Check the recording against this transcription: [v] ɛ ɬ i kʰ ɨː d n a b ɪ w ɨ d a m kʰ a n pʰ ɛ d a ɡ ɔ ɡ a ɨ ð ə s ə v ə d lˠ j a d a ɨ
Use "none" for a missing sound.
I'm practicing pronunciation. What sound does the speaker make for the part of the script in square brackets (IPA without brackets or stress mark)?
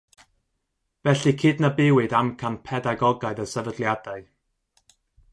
v